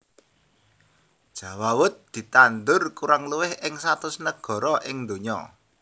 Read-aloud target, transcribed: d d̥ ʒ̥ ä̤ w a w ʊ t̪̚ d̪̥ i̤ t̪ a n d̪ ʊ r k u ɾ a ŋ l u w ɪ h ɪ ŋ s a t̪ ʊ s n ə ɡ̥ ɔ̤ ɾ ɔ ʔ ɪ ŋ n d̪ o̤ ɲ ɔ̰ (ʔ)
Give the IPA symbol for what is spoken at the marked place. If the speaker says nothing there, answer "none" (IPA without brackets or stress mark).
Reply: none